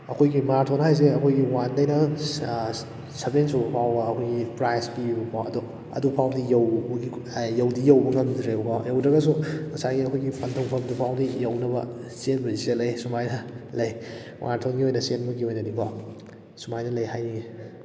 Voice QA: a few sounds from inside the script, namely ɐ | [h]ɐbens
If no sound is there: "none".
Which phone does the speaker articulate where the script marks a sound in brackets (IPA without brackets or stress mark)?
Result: s